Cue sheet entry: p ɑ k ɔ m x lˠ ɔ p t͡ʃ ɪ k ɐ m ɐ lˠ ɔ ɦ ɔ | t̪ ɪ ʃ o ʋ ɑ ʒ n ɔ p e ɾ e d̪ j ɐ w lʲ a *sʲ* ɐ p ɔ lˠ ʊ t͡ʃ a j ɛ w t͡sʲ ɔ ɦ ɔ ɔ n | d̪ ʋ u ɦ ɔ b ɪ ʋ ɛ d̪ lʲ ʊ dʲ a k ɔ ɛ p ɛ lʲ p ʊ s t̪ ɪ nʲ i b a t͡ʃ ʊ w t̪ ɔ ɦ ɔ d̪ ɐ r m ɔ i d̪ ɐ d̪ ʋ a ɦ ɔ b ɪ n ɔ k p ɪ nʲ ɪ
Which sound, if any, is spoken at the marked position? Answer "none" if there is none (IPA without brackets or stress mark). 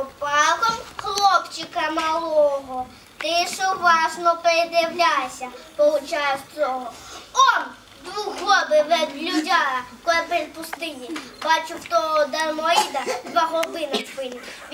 sʲ